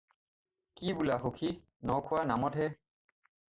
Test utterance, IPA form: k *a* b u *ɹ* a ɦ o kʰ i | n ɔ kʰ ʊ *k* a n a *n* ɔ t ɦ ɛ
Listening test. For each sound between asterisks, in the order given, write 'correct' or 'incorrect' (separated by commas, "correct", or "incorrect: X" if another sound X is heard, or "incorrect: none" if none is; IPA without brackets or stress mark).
incorrect: i, incorrect: l, incorrect: none, incorrect: m